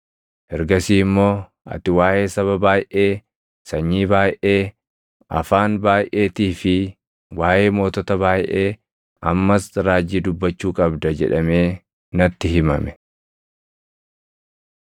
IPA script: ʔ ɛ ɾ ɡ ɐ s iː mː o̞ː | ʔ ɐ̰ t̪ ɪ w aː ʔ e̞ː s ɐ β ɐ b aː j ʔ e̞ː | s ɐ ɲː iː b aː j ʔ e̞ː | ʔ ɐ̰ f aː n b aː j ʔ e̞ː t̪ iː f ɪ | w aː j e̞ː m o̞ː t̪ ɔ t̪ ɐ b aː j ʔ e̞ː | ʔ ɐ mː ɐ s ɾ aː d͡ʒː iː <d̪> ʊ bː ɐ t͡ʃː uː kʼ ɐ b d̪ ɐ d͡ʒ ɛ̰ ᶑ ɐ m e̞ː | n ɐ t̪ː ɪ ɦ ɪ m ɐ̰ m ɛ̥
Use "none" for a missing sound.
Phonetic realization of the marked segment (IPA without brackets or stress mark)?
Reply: d̪